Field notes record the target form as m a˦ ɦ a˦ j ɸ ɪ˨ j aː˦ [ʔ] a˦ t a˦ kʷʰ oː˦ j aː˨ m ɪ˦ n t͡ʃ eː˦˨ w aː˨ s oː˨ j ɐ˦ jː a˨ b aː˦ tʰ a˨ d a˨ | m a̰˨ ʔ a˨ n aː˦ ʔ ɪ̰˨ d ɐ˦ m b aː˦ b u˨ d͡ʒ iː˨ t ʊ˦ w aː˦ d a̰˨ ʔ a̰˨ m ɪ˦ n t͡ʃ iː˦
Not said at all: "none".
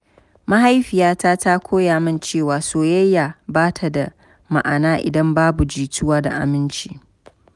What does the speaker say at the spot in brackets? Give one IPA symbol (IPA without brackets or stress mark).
t